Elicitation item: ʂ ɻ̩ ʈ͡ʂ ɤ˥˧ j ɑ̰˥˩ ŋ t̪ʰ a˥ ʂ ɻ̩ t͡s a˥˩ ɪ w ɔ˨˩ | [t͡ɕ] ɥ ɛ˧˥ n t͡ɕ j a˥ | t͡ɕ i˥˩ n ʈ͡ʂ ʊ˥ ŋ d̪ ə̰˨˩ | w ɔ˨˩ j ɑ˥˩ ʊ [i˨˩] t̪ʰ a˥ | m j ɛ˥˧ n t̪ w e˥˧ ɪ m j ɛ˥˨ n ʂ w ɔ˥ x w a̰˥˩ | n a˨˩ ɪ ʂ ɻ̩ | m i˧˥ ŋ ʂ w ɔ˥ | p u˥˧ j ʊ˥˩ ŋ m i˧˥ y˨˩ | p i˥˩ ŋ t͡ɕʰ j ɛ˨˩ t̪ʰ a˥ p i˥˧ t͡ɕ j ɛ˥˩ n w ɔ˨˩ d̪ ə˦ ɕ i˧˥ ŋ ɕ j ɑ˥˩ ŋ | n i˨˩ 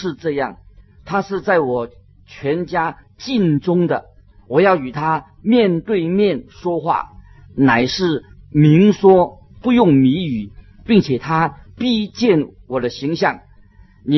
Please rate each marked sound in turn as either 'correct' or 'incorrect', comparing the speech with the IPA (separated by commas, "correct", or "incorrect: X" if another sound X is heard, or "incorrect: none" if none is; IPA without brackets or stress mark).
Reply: incorrect: t͡ɕʰ, incorrect: y˨˩